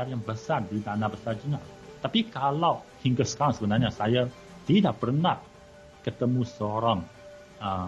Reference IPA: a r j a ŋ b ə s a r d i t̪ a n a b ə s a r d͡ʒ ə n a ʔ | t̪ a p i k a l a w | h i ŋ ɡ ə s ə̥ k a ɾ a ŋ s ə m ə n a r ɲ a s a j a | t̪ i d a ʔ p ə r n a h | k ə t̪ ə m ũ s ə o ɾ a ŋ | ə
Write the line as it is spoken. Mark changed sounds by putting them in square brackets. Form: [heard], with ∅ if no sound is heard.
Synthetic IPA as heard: a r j a ŋ b ə s a r d i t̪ a n a b ə s a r d͡ʒ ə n a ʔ | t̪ a p i k a l a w | h i ŋ ɡ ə s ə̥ k a ɾ a ŋ s ə [b] ə n a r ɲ a s a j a | t̪ i d a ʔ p ə r n a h | k ə t̪ ə m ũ s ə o ɾ a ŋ | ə